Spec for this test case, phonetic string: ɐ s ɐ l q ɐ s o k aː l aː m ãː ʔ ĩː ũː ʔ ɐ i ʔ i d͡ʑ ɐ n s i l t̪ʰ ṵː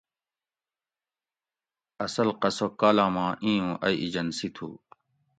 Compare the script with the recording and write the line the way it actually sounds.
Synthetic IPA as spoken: ɐ s ɐ l q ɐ s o k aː l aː m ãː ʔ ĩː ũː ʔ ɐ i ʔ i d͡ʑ ɐ n s i t̪ʰ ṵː